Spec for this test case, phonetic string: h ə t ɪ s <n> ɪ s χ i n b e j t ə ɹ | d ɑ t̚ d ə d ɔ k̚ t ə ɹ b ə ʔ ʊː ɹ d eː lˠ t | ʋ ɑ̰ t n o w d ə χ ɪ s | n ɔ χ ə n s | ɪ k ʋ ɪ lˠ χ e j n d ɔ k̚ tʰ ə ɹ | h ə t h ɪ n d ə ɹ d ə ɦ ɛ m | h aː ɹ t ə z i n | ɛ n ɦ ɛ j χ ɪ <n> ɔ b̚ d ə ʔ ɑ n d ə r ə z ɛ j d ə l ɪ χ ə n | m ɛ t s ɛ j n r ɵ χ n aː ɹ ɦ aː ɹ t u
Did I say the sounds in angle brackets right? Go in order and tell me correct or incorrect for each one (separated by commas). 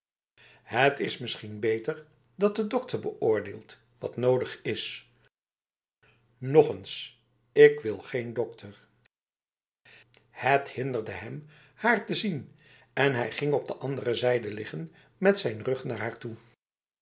incorrect, incorrect